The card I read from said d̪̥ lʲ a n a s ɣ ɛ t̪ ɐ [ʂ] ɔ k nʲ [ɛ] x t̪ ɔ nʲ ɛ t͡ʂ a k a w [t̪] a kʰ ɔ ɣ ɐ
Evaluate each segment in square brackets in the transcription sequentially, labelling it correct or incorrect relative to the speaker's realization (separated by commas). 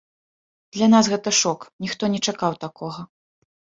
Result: correct, incorrect, correct